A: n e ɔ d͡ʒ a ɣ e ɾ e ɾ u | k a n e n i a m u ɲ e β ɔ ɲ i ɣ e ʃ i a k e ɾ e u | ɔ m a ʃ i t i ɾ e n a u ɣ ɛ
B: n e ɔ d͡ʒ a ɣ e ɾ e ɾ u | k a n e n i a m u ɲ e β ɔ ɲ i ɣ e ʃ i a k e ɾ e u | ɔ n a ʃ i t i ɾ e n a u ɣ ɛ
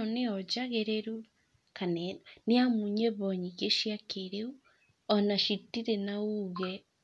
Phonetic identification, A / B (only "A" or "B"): B